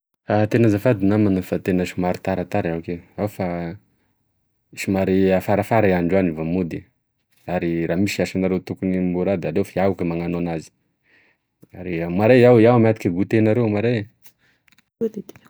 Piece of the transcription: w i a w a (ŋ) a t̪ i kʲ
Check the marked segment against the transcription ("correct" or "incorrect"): incorrect